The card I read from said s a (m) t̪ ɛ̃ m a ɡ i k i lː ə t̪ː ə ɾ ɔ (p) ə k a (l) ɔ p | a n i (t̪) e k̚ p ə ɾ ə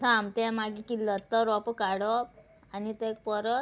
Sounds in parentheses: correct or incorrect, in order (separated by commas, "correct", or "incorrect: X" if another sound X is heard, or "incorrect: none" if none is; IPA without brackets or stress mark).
correct, correct, incorrect: ɽ, correct